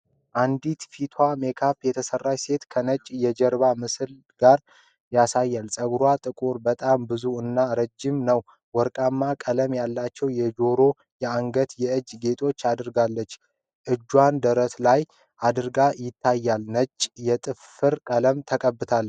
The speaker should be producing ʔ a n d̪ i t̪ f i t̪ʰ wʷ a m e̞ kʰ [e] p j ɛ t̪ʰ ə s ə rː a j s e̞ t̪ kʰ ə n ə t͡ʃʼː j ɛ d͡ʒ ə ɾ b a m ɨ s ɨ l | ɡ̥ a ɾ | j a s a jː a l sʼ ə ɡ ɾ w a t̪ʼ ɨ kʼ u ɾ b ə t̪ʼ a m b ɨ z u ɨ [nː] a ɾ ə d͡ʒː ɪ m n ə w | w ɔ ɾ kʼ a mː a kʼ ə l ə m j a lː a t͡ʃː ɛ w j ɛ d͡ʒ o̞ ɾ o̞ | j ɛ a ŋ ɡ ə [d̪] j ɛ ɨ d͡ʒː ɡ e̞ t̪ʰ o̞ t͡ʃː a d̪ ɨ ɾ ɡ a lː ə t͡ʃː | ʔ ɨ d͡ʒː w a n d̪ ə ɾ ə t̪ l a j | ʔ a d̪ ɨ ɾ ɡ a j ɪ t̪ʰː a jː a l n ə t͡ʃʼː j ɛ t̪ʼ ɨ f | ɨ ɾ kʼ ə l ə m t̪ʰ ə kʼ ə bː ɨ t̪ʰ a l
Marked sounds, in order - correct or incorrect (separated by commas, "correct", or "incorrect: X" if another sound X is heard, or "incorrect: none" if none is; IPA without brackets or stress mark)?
incorrect: a, correct, incorrect: t̪